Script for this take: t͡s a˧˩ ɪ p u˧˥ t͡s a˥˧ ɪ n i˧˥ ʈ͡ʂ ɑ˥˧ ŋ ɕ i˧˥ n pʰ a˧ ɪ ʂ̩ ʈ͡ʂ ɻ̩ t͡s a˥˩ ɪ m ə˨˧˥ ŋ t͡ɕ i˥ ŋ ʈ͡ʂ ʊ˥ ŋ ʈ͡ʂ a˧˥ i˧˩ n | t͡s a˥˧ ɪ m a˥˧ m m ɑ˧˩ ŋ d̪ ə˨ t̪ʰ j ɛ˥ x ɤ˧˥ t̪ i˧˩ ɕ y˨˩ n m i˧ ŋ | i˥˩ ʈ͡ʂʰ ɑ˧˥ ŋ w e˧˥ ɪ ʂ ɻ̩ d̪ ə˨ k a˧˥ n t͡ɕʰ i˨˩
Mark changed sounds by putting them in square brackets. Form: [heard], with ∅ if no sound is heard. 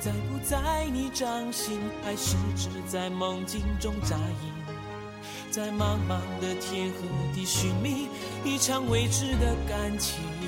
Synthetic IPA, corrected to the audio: t͡s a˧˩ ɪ p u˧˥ t͡s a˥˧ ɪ n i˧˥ ʈ͡ʂ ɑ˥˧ ŋ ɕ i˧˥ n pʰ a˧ ɪ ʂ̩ ʈ͡ʂ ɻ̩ t͡s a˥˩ ɪ m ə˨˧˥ ŋ t͡ɕ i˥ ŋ ʈ͡ʂ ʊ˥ ŋ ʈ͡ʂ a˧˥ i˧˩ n | t͡s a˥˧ ɪ m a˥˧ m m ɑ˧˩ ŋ d̪ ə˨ t̪ʰ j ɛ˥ x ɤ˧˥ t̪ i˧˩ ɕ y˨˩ n m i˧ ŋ | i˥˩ ʈ͡ʂʰ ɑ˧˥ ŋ w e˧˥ ɪ [ʈ͡ʂ] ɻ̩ d̪ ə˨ k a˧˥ n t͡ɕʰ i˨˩